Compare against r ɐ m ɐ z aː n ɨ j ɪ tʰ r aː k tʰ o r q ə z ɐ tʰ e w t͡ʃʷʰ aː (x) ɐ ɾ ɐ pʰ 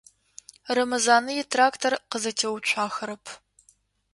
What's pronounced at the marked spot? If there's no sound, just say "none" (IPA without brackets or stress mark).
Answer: x